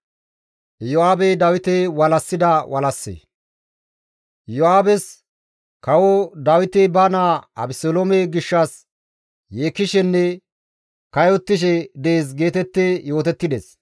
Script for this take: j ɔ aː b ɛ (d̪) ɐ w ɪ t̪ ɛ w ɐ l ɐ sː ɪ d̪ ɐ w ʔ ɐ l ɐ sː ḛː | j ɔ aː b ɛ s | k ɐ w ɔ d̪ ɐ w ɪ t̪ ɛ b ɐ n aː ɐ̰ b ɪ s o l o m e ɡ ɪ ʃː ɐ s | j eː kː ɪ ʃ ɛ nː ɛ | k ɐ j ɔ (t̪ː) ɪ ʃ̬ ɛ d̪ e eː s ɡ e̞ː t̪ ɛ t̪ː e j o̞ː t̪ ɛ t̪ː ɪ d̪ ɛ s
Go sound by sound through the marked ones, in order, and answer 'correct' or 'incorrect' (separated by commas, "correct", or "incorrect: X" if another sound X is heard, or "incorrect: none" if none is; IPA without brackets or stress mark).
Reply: correct, correct